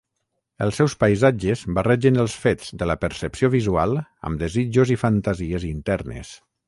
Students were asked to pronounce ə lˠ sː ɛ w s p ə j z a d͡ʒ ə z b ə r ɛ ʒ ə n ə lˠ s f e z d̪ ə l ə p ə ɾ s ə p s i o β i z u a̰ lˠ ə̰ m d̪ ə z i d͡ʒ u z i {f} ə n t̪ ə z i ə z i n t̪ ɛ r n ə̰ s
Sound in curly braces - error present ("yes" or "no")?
no